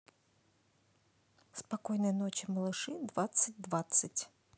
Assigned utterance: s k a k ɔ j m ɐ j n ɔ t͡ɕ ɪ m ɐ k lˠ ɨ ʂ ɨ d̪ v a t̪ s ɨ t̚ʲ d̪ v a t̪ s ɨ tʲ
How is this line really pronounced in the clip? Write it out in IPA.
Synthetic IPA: s p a k ɔ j n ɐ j n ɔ t͡ɕ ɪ m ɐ lˠ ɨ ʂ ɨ d̪ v a t̪ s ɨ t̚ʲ d̪ v a t̪ s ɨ tʲ